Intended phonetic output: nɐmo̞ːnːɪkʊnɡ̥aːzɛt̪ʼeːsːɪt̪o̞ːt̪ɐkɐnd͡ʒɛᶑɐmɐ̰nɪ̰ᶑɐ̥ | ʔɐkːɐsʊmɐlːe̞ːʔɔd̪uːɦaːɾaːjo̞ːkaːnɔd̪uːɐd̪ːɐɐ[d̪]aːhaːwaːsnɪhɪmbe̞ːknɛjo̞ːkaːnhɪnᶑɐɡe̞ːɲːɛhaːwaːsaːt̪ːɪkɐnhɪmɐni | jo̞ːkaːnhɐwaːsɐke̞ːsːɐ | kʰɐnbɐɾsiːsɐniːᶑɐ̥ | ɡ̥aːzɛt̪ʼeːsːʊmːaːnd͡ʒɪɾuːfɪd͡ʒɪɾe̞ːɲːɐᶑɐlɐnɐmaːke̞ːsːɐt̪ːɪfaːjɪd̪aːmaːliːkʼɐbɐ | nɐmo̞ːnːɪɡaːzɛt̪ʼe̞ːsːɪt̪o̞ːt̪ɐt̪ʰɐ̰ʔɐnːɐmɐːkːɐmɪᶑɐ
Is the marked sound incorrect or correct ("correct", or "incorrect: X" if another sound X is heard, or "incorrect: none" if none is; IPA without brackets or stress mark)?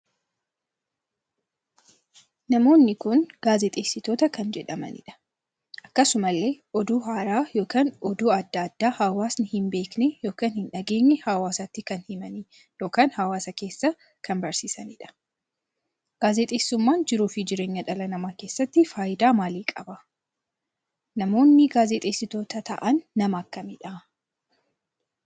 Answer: incorrect: d̪ː